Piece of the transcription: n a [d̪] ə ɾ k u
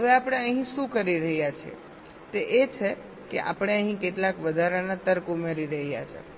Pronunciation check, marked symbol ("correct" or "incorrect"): incorrect